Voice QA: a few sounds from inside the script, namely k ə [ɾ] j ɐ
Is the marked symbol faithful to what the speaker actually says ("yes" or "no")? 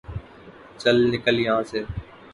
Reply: no